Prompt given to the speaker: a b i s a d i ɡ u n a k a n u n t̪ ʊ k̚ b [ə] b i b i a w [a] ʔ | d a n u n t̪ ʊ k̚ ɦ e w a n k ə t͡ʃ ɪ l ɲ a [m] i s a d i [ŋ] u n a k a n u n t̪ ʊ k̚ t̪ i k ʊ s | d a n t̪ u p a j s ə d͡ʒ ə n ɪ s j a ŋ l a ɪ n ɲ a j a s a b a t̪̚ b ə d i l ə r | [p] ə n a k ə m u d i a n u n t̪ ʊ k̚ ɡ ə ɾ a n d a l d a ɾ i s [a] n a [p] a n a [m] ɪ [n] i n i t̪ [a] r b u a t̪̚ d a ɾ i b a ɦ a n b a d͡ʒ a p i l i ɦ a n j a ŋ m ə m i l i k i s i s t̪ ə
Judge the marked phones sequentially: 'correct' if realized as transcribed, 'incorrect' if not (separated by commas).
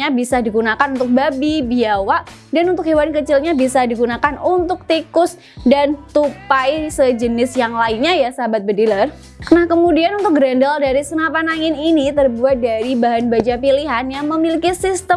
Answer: incorrect, correct, incorrect, incorrect, incorrect, incorrect, correct, incorrect, correct, incorrect